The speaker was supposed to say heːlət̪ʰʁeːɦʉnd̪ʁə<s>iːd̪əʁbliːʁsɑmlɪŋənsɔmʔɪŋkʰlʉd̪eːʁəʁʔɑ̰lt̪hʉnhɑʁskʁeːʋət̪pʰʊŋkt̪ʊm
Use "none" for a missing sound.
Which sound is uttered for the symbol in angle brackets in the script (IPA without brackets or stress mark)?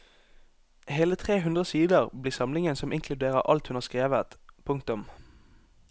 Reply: s